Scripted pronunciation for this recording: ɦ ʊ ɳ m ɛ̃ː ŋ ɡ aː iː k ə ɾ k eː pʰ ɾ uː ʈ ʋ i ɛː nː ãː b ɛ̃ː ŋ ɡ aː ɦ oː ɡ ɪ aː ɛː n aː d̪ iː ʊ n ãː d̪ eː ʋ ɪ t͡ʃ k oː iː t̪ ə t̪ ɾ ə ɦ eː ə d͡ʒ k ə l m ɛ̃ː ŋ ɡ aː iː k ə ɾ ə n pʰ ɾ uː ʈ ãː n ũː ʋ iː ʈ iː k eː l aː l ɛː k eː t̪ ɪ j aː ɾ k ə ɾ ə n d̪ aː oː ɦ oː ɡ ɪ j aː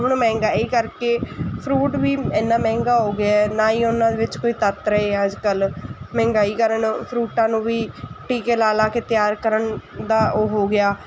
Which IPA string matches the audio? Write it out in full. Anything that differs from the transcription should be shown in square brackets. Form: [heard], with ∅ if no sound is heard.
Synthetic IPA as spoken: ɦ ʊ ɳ m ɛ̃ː ŋ ɡ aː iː k ə ɾ k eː pʰ ɾ uː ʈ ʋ [iː] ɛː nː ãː [m] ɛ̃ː ŋ ɡ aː ɦ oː ɡ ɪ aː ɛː n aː [∅] iː ʊ n ãː d̪ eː ʋ ɪ t͡ʃ k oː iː t̪ ə t̪ ɾ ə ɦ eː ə d͡ʒ k ə l m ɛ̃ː ŋ ɡ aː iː k ə ɾ ə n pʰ ɾ uː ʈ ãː n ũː ʋ iː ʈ iː k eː l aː l [aː] k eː t̪ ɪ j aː ɾ k ə ɾ ə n d̪ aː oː ɦ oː ɡ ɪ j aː